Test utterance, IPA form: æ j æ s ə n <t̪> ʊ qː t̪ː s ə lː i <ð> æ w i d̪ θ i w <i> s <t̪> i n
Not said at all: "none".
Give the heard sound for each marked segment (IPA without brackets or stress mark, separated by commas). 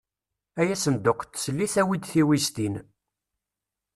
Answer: d̪, θ, i, t̪